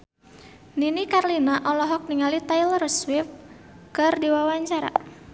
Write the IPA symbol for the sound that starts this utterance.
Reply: n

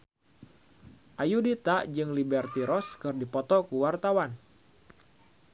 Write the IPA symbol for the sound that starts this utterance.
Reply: ʔ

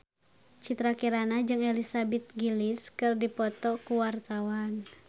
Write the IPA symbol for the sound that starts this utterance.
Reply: t͡ʃ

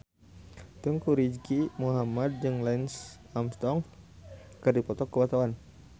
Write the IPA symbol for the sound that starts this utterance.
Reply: t̪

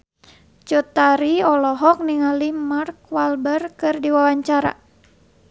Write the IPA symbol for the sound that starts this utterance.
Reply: t͡ʃ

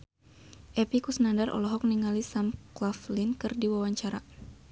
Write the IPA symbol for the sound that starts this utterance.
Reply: ʔ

